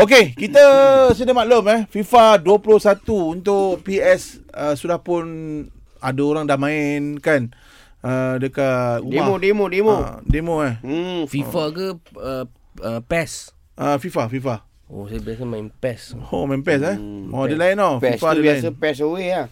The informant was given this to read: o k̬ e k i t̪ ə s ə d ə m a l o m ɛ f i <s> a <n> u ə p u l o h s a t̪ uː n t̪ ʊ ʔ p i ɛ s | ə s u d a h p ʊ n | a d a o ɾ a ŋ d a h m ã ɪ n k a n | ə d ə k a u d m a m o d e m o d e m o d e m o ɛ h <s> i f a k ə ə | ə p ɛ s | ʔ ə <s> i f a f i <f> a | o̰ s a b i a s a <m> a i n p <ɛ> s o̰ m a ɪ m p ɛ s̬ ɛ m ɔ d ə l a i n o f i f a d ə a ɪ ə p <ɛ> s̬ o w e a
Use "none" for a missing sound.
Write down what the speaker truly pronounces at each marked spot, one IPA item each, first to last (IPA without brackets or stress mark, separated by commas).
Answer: f, d, f, f, f, m, ɛ, ɛ